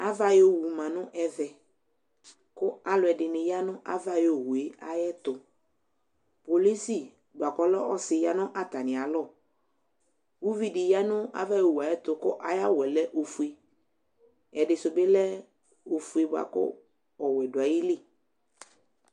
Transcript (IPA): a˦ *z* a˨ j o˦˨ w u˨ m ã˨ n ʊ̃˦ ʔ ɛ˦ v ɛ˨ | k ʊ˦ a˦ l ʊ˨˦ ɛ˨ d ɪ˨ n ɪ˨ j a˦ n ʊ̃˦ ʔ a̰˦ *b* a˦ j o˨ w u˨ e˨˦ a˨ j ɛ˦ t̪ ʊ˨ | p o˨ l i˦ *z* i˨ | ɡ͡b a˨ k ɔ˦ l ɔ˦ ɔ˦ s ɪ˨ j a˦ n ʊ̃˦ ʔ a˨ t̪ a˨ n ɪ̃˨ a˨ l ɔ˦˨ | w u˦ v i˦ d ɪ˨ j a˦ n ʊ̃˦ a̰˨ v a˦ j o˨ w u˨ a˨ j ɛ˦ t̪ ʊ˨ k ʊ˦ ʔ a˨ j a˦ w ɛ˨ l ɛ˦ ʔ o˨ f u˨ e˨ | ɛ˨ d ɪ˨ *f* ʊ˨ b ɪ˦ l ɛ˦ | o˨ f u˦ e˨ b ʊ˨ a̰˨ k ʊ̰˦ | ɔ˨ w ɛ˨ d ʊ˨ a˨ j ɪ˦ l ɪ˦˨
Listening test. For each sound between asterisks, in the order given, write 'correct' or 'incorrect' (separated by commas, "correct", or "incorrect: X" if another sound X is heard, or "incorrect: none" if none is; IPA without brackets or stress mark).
incorrect: v, incorrect: v, incorrect: s, incorrect: s